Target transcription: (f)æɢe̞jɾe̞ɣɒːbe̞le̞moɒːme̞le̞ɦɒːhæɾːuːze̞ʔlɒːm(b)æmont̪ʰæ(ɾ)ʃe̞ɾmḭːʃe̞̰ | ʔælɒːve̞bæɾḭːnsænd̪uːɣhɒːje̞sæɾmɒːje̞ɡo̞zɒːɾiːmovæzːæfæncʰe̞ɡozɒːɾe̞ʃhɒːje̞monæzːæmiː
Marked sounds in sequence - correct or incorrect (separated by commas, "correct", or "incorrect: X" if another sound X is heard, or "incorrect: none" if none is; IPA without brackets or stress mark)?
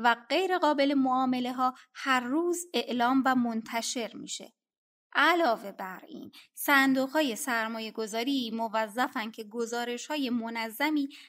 incorrect: v, incorrect: v, incorrect: none